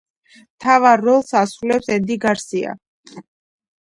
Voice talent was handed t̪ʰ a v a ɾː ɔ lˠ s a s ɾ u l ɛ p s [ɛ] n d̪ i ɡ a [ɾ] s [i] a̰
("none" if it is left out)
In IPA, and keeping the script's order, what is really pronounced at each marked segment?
ɛ, ɾ, i

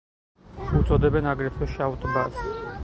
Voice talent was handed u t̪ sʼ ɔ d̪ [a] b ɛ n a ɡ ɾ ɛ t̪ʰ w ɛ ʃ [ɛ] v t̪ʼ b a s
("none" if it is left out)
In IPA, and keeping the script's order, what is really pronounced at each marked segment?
ɛ, a

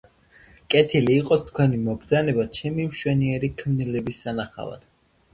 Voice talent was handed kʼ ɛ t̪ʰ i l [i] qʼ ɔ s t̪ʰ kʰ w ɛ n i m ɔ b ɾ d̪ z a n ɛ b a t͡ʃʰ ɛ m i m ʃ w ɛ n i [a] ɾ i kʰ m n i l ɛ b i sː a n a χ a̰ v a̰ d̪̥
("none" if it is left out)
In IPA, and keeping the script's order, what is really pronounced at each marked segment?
iː, ɛ

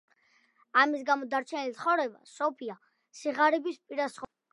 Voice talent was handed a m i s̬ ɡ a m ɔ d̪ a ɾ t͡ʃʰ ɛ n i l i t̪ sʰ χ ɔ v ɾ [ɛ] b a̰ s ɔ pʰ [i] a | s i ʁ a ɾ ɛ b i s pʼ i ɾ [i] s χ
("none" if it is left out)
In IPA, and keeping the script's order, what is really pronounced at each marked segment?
ɛ, i, a

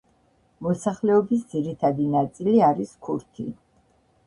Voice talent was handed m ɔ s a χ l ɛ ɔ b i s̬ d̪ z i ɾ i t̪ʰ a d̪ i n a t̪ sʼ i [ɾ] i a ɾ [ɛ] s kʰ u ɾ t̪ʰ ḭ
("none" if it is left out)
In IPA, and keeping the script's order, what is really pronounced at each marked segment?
l, i

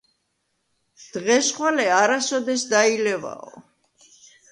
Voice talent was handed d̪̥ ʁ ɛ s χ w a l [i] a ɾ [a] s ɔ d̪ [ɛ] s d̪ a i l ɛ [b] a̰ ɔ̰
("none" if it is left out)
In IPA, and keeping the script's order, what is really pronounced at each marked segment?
ɛ, a, ɛ, v

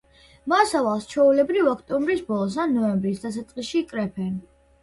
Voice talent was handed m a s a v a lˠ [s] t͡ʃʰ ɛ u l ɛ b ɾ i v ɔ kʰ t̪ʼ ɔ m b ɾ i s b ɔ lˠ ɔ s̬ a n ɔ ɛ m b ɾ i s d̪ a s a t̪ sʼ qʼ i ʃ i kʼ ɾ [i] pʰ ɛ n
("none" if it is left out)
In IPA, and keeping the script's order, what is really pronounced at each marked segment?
s, ɛ

